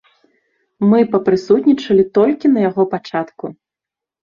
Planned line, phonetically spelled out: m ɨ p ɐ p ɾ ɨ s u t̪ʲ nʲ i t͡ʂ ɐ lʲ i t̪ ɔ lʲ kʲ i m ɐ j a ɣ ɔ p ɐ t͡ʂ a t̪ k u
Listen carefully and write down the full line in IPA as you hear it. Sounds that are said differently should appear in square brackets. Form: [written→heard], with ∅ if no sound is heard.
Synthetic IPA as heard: m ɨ p ɐ p ɾ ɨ s u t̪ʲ nʲ i t͡ʂ ɐ lʲ i t̪ ɔ lʲ kʲ i [m→n] ɐ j a ɣ ɔ p [ɐ→a] t͡ʂ a t̪ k u